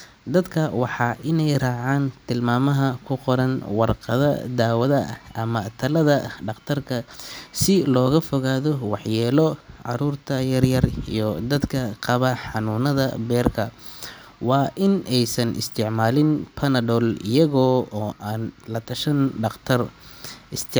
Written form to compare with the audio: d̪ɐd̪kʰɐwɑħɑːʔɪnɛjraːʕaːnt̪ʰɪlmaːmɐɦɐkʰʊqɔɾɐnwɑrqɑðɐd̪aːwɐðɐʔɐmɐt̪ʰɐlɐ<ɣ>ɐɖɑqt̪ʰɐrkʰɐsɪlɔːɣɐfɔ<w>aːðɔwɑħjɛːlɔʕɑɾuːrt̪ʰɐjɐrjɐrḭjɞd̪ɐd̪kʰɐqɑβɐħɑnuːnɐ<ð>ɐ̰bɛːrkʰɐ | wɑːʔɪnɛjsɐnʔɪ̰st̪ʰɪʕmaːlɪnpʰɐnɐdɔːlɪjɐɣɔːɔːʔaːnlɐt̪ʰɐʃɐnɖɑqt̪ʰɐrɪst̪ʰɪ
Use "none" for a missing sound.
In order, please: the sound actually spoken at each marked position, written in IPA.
ð, ɣ, ð

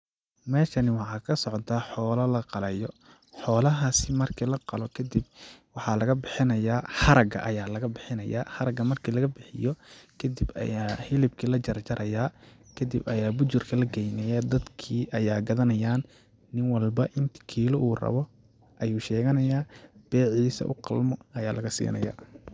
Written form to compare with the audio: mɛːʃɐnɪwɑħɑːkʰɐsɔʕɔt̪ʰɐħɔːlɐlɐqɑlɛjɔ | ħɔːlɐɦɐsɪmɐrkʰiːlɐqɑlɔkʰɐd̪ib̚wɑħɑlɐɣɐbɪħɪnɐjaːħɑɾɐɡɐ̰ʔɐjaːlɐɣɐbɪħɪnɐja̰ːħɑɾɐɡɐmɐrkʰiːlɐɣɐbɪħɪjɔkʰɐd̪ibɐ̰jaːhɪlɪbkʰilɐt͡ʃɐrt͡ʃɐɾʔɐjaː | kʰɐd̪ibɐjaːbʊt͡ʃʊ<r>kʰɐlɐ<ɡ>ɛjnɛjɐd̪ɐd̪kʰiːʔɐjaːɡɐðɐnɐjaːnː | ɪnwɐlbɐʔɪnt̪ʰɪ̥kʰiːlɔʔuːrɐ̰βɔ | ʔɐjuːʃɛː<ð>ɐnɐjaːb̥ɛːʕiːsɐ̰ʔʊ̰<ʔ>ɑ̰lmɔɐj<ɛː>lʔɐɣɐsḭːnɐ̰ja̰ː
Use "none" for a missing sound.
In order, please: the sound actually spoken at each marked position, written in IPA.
r, ɡ, ɣ, q, aː

